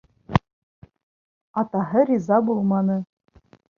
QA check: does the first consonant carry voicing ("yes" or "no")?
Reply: no